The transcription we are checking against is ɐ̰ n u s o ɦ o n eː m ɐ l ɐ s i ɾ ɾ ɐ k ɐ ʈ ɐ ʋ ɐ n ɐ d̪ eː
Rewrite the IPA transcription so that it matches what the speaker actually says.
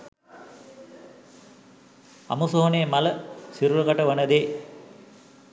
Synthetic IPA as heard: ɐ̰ m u s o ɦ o n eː m ɐ l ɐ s i ɾ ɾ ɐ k ɐ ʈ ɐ ʋ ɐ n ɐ d̪ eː